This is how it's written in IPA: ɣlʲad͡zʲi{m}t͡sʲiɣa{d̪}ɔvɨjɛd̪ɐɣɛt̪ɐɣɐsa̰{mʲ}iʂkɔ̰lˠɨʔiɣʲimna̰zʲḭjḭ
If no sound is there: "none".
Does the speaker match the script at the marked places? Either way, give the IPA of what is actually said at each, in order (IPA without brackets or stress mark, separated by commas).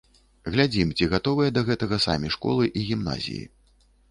m, t̪, mʲ